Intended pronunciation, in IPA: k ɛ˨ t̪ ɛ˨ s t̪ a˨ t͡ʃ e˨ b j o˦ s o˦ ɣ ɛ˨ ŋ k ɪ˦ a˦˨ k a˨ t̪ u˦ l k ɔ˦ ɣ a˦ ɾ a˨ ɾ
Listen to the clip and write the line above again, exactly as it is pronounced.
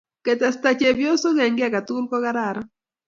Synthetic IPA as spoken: k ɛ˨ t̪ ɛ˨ s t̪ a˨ t͡ʃ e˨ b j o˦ s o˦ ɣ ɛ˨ ŋ ɡ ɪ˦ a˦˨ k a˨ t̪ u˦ l k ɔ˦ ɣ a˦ ɾ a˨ ɾ